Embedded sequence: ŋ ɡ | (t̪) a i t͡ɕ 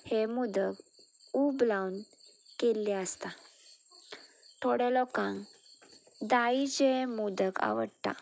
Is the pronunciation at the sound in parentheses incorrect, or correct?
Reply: incorrect